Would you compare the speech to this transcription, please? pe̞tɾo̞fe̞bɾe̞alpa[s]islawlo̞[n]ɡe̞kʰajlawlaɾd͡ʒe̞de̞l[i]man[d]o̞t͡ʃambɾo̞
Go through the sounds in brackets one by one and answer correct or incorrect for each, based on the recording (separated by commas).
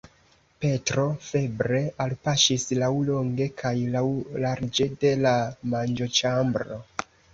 incorrect, incorrect, incorrect, incorrect